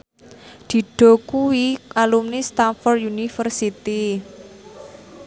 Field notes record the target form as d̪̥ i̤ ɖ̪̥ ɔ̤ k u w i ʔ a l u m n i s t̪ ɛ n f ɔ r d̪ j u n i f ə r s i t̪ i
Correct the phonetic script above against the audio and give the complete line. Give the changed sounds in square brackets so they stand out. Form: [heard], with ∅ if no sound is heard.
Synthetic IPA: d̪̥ i̤ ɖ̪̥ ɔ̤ k u w i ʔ a l u m n i s t̪ [a] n f ɔ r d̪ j u n i f ə r s i t̪ i